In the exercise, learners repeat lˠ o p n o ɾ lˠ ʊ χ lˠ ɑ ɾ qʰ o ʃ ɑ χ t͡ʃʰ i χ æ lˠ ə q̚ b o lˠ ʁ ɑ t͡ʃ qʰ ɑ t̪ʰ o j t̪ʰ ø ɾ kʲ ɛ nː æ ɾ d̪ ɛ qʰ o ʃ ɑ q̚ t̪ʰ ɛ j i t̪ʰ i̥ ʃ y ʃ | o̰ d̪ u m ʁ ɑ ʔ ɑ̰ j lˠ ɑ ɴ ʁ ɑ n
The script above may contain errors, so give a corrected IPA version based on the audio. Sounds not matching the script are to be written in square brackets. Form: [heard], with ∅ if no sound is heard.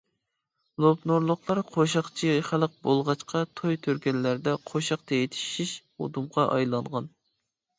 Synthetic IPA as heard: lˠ o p n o ɾ lˠ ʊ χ lˠ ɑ ɾ qʰ o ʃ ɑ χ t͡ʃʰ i χ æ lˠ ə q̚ b o lˠ ʁ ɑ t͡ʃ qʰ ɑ t̪ʰ o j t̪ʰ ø ɾ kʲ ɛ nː æ ɾ d̪ ɛ qʰ o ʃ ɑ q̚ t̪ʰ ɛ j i t̪ʰ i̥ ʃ [i] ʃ | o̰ d̪ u m ʁ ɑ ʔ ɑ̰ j lˠ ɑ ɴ ʁ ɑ n